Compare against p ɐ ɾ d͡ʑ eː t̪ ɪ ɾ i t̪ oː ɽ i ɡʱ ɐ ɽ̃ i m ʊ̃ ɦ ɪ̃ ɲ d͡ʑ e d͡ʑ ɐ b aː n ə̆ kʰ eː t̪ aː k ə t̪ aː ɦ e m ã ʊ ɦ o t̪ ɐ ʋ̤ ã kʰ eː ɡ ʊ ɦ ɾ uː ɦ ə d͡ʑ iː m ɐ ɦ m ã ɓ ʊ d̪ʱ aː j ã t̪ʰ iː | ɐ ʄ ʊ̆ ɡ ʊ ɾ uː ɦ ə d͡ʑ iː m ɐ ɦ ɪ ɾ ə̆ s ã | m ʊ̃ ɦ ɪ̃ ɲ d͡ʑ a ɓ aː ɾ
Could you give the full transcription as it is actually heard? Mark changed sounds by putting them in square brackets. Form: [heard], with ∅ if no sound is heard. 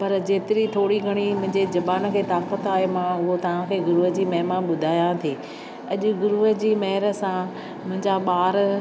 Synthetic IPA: p ɐ ɾ d͡ʑ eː t̪ ɪ ɾ i [t̪ʰ] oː ɽ i ɡʱ ɐ ɽ̃ i m ʊ̃ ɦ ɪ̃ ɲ d͡ʑ e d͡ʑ ɐ b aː n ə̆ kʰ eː t̪ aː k ə t̪ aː ɦ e m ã ʊ ɦ o t̪ ɐ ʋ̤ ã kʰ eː ɡ ʊ [∅] ɾ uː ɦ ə d͡ʑ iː m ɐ ɦ m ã ɓ ʊ d̪ʱ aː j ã t̪ʰ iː | ɐ ʄ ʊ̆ ɡ ʊ ɾ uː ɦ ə d͡ʑ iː m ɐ ɦ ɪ ɾ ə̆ s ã | m ʊ̃ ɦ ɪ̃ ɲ d͡ʑ a ɓ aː ɾ

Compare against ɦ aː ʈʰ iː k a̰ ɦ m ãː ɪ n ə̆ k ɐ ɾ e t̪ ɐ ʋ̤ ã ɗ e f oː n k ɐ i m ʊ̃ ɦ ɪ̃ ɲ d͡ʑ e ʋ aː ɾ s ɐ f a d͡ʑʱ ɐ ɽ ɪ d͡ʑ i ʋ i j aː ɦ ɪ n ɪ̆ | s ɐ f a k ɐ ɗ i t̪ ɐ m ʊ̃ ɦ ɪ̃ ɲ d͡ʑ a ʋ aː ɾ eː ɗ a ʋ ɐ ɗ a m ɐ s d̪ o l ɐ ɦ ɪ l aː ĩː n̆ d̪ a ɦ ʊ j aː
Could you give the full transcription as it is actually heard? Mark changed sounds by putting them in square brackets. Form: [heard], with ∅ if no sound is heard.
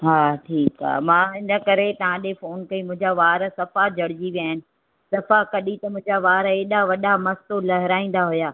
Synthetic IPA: ɦ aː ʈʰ iː k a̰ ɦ m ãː ɪ n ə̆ k ɐ ɾ e t̪ ɐ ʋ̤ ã ɗ e f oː n k ɐ i m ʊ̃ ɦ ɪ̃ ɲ d͡ʑ [a] ʋ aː ɾ s ɐ f a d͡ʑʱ ɐ ɽ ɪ d͡ʑ i ʋ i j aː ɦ ɪ n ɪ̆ | s ɐ f a k ɐ ɗ i t̪ ɐ m ʊ̃ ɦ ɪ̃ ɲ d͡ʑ a ʋ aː ɾ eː ɗ a ʋ ɐ ɗ a m ɐ s [t̪] o l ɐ ɦ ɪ [ɾ] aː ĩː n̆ d̪ a ɦ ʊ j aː

